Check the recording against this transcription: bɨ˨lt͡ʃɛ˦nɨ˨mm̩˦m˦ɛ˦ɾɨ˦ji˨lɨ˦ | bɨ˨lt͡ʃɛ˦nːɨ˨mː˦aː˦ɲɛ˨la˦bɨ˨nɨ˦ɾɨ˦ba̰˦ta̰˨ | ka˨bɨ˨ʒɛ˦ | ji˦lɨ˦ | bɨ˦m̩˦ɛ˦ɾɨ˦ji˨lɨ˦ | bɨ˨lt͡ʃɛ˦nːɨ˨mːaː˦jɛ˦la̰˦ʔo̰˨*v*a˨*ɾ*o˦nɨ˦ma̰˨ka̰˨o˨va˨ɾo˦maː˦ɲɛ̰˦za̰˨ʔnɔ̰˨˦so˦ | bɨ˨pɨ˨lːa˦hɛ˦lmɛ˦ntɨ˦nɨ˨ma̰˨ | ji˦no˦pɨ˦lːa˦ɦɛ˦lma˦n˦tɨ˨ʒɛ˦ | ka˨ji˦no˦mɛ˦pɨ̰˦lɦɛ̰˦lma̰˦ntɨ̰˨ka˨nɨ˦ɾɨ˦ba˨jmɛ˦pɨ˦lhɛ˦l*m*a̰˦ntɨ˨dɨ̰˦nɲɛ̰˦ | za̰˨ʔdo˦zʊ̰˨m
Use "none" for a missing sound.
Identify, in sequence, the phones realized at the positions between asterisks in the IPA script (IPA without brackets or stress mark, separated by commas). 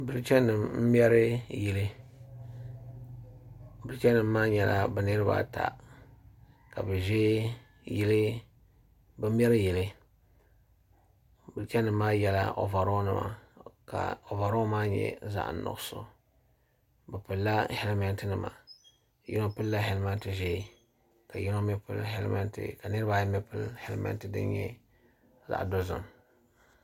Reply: v, ɾ, m